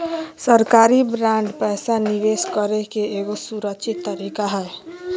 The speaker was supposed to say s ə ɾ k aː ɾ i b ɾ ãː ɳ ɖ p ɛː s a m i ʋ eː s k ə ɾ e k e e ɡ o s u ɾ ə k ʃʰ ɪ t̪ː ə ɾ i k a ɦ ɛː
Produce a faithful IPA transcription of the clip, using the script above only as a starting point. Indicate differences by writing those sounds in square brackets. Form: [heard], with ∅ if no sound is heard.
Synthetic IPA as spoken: s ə ɾ k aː ɾ i b ɾ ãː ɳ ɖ p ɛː s a [n] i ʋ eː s k ə ɾ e k e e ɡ o s u ɾ ə k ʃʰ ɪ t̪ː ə ɾ i k a ɦ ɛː